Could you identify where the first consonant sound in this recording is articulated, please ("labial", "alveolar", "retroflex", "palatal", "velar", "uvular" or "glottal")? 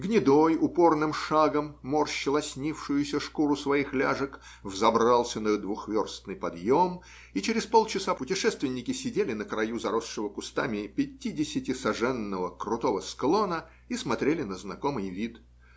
velar